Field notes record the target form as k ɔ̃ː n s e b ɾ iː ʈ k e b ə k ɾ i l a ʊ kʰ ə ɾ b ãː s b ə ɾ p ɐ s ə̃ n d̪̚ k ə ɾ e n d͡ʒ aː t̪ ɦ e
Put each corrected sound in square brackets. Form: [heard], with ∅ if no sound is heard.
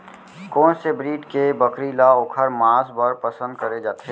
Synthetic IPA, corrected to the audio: k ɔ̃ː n s e b ɾ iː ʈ k e b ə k ɾ i l a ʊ kʰ ə ɾ [m] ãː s b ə ɾ p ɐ s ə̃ n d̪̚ k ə ɾ e [∅] d͡ʒ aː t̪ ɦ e